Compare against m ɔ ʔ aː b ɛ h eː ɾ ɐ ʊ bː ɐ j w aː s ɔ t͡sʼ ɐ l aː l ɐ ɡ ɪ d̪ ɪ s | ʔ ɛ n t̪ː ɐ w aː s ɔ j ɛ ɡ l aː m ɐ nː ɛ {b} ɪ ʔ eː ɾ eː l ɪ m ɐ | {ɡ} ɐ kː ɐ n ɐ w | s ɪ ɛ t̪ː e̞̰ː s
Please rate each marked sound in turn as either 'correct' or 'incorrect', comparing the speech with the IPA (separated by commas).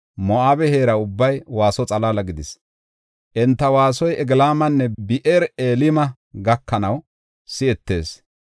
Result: correct, correct